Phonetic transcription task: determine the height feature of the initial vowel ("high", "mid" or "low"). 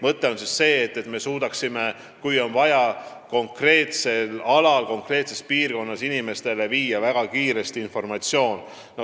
mid